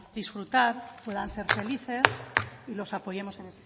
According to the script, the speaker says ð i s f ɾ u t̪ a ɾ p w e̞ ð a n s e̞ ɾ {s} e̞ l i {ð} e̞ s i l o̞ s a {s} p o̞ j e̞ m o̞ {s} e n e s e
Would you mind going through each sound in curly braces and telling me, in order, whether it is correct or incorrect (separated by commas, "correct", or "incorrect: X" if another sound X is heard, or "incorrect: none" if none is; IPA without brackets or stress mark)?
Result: incorrect: f, incorrect: θ, incorrect: none, correct